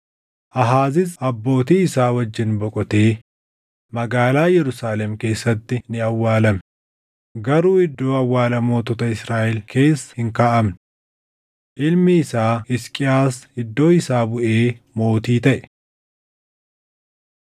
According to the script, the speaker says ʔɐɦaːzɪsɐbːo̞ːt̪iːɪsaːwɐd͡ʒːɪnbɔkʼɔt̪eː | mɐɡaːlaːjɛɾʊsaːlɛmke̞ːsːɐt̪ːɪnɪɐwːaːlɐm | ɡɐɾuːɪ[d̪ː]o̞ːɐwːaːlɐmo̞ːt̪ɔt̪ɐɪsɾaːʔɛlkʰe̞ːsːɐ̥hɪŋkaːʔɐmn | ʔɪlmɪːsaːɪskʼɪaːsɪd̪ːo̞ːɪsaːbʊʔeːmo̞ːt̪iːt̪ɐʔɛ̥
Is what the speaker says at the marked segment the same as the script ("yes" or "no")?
yes